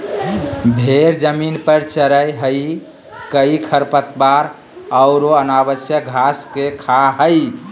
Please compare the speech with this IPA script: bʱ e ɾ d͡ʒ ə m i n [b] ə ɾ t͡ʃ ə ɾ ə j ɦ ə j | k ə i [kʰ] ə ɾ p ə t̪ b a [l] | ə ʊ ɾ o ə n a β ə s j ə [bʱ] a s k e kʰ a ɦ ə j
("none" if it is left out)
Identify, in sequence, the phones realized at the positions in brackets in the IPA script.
p, kʰ, ɾ, ɡʱ

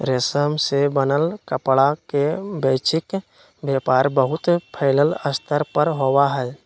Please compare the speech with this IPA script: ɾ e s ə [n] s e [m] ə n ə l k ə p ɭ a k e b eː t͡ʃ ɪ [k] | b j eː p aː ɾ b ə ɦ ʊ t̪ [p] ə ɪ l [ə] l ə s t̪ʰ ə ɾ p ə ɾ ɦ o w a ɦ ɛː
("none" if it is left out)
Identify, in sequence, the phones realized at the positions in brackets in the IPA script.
m, b, k, pʰ, ə

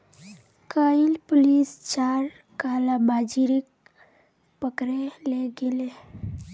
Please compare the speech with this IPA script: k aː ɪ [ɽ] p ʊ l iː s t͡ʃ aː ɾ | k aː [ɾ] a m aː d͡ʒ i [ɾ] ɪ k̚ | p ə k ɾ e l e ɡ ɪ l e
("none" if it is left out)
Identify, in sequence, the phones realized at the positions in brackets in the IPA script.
l, l, ɾ

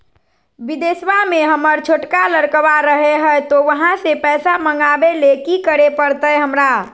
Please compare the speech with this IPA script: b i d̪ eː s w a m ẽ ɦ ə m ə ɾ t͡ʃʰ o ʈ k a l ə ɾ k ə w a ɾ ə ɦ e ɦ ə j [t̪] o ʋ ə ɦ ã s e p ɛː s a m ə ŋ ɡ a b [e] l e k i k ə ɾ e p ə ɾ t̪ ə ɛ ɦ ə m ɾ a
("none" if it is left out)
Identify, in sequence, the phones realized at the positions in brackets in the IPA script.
t̪, e

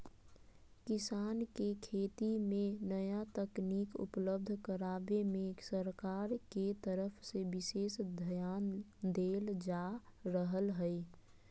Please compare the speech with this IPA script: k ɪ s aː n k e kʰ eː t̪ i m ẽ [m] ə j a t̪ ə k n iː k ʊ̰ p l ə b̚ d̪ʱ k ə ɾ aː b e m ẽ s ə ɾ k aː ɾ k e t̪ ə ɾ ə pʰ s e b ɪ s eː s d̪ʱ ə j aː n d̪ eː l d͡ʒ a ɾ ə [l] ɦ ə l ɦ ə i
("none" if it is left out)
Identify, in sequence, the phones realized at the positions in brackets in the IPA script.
n, none

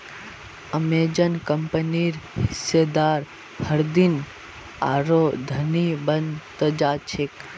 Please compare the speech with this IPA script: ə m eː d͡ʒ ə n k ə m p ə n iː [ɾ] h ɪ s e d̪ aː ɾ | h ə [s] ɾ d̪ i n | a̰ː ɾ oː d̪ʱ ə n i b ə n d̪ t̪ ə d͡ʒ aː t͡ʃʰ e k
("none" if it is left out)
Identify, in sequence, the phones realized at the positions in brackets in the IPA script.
ɾ, none

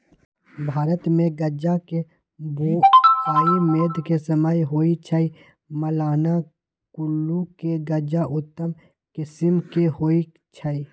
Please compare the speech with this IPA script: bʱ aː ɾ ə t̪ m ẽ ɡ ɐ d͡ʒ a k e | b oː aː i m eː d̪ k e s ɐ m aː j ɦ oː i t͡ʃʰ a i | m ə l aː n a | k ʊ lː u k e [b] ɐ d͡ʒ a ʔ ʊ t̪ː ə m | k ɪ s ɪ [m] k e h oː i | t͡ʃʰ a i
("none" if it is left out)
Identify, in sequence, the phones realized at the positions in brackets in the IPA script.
ɡ, m

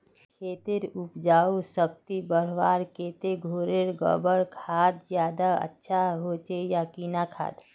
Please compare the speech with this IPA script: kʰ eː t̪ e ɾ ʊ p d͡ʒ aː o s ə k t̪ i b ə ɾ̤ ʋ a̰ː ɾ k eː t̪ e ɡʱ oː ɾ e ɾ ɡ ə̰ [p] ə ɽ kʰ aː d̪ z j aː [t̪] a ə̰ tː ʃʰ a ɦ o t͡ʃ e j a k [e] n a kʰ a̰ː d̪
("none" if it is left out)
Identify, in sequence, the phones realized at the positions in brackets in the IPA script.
b, d̪, i

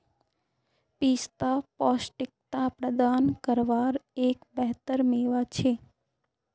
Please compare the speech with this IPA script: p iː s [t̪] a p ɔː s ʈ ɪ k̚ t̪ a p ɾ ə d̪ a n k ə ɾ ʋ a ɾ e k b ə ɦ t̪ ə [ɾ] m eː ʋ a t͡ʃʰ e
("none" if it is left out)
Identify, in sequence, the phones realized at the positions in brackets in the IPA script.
t̪, ɾ

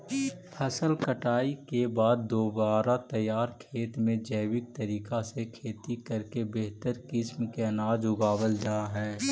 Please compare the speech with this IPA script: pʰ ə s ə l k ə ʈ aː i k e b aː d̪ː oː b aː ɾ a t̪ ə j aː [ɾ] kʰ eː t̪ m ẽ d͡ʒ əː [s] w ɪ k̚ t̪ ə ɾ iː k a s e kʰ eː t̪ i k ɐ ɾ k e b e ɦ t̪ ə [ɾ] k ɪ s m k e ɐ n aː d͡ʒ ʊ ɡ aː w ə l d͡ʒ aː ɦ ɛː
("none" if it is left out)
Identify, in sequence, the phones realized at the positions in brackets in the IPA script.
ɾ, none, ɾ

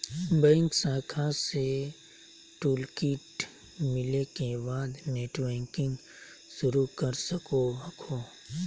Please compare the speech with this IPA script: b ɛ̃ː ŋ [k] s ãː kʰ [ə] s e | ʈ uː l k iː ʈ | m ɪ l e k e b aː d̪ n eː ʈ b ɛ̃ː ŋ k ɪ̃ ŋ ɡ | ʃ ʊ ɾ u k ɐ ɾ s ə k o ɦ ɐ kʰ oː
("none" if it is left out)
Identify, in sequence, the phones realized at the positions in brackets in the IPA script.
k, a

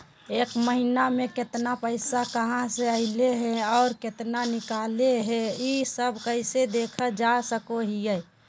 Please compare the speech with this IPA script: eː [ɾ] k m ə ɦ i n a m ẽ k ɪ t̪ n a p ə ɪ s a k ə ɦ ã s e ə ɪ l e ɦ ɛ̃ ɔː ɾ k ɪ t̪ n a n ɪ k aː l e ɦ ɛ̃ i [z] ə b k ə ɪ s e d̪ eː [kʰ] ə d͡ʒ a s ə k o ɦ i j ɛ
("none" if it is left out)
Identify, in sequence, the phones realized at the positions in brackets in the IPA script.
none, s, kʰ

